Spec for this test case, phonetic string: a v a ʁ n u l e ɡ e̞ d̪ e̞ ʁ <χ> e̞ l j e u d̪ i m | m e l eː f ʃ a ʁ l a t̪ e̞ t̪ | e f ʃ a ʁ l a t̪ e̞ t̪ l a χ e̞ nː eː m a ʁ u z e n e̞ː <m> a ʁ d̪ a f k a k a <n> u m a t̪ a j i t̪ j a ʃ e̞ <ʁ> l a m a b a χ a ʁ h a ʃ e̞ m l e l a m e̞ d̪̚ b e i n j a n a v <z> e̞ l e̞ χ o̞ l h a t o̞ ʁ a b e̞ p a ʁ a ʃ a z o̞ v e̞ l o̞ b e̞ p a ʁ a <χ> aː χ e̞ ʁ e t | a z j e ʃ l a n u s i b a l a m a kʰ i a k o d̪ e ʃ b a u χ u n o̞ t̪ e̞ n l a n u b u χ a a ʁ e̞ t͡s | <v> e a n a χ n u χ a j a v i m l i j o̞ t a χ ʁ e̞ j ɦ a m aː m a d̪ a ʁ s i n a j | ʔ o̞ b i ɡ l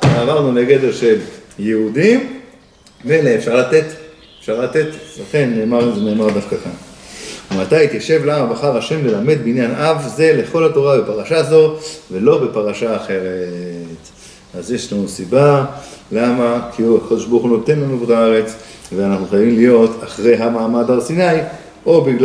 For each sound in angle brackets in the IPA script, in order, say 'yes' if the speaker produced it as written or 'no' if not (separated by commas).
no, yes, yes, no, yes, no, yes